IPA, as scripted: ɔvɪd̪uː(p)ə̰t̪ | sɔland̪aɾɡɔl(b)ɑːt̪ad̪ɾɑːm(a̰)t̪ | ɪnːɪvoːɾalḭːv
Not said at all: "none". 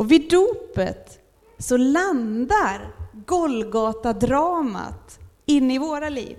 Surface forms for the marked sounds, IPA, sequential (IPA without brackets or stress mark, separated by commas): p, ɡ, a̰